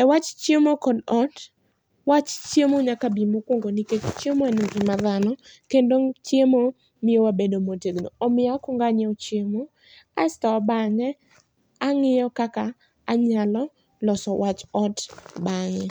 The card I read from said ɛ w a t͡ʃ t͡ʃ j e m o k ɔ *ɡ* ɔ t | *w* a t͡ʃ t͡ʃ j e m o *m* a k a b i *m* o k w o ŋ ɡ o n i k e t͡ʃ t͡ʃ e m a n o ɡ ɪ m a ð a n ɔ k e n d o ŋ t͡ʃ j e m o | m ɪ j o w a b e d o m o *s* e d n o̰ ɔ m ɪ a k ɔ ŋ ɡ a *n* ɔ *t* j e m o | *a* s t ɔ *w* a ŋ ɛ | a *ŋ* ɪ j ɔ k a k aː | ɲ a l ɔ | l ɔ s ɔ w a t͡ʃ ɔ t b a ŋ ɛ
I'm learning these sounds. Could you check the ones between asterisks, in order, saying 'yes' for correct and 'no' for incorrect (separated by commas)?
no, yes, no, yes, no, no, no, yes, no, yes